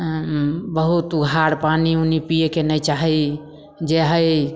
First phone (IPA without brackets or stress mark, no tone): b